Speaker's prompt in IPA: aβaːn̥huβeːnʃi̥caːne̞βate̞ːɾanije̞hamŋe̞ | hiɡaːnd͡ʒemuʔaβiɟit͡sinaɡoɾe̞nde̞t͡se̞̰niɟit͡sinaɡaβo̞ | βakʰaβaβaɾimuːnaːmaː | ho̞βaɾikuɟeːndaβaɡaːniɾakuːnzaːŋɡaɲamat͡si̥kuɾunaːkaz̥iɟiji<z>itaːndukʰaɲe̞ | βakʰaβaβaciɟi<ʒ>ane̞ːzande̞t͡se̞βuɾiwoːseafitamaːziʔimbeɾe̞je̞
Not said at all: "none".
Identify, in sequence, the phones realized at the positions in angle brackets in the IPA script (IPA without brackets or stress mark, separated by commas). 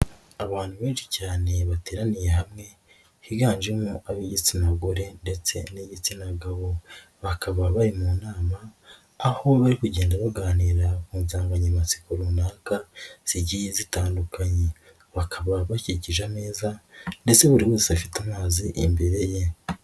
z, ʒ